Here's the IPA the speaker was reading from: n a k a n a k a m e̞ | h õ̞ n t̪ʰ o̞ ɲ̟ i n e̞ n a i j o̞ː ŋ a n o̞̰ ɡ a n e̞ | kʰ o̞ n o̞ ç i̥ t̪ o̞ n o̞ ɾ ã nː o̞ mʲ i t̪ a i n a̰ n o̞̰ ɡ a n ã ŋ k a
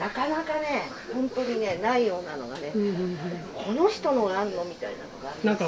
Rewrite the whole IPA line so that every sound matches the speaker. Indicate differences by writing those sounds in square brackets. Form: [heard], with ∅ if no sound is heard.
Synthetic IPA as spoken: n a k a n a k a [n] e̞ | h õ̞ n [t̪] o̞ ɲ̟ i n e̞ n a i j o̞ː [n] a n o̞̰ ɡ a n e̞ | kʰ o̞ n o̞ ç i̥ t̪ o̞ n o̞ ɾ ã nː o̞ mʲ i t̪ a i n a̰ n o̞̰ ɡ a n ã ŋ k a